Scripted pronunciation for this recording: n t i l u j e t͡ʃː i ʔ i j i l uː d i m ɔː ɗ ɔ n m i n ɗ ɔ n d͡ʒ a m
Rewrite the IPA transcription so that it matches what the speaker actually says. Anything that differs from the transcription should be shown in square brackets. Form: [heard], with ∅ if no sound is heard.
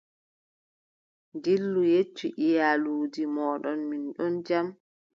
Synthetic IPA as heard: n [d] i [lː] u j e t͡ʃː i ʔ i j [a] l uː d i m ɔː ɗ ɔ n m i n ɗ ɔ n d͡ʒ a m